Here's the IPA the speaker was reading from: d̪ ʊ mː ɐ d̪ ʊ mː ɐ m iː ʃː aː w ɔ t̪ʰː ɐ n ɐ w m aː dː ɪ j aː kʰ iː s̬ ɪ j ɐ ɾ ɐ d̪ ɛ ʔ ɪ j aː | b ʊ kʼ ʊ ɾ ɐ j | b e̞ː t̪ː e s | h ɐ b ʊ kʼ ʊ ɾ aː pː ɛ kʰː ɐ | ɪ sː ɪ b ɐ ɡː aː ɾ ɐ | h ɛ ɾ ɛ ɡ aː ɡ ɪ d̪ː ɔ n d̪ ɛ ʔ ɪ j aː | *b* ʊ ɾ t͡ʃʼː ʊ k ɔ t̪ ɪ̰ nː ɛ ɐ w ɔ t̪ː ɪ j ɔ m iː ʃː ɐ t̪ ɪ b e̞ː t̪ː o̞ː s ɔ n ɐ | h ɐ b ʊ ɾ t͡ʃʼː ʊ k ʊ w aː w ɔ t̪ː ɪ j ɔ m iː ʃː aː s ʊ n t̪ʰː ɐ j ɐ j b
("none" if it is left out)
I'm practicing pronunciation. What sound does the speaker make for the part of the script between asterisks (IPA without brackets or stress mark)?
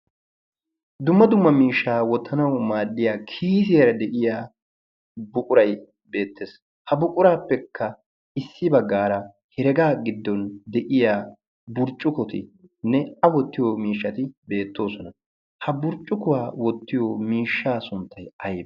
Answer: b